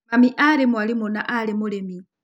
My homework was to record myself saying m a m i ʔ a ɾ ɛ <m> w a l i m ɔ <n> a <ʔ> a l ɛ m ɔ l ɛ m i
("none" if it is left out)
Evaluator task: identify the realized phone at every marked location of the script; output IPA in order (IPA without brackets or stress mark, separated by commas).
m, n, ʔ